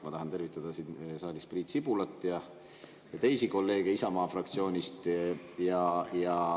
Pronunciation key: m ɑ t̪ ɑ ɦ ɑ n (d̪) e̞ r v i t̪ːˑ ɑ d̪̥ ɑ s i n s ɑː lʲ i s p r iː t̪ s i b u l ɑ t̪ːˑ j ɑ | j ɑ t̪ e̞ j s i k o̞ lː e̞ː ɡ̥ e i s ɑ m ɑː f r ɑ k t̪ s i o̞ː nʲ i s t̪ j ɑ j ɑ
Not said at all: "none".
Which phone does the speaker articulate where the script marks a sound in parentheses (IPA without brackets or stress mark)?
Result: t̪